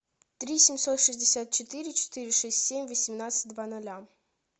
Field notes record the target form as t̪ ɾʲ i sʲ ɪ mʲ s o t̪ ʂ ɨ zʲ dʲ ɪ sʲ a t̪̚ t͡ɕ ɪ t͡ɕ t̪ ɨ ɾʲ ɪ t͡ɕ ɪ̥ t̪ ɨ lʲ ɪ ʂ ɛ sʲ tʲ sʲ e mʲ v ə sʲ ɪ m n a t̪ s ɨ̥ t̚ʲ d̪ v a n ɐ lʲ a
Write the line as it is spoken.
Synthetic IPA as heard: t̪ ɾʲ i sʲ ɪ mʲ s o t̪ ʂ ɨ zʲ dʲ ɪ sʲ a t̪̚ t͡ɕ ɪ t̪ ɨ ɾʲ ɪ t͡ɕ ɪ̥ t̪ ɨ ɾʲ ɪ ʂ ɛ sʲ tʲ sʲ e mʲ v ə sʲ ɪ m n a t̪ s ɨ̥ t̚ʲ d̪ v a n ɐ lʲ a